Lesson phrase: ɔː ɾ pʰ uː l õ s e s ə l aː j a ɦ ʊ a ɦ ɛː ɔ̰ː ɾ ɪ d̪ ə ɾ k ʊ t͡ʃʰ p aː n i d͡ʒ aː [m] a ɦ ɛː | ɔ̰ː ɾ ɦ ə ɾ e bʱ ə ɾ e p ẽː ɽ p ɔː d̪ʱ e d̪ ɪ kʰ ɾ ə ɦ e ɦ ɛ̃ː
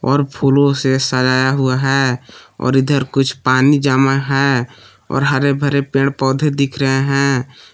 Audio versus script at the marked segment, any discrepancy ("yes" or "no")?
no